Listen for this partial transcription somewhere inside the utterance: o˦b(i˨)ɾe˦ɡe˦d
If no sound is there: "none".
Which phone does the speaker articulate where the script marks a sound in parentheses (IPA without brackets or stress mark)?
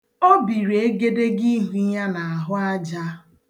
i˨